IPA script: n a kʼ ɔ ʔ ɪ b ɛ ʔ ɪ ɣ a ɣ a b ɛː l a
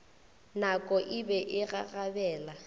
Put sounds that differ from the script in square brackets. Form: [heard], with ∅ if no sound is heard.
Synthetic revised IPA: n a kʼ ɔ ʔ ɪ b ɛ ʔ ɪ ɣ a ɣ a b ɛː l a